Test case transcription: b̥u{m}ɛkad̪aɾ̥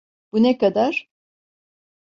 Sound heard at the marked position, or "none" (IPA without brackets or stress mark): n